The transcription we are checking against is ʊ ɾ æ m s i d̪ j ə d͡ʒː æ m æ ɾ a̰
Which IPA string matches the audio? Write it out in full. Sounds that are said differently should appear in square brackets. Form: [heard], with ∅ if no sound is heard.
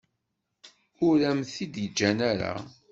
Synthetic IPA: ʊ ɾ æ m [θ] i d̪ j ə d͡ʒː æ [n] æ ɾ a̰